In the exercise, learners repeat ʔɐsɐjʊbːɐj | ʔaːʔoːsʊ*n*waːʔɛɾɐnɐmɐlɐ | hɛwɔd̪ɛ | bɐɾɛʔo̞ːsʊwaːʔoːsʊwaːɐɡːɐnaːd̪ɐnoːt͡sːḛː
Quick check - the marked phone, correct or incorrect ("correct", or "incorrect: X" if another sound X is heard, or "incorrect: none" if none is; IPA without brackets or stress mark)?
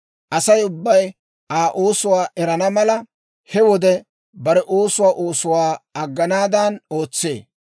incorrect: none